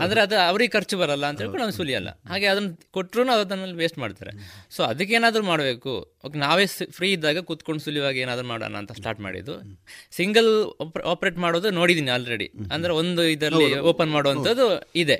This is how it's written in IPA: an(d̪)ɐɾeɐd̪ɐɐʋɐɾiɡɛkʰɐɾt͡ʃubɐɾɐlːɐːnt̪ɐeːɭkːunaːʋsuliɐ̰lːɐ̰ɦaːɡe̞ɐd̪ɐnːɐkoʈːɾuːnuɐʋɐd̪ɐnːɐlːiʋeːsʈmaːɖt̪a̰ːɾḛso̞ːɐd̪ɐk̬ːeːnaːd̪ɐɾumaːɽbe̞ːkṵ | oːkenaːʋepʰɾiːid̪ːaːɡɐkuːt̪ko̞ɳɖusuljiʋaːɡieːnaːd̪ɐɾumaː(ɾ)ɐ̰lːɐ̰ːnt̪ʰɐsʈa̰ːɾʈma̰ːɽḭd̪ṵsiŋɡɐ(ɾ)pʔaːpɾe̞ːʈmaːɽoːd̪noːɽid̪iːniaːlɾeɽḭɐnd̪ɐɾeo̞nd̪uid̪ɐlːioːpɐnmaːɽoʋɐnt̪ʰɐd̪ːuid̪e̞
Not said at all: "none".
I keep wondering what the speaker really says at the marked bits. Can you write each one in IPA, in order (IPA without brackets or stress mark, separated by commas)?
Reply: d̪, ɽ, l